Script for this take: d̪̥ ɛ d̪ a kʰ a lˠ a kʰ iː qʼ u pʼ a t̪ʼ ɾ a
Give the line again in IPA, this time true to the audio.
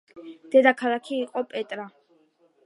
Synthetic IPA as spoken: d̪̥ ɛ d̪ a kʰ a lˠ a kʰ iː qʼ ɔ pʼ ɛ t̪ʼ ɾ a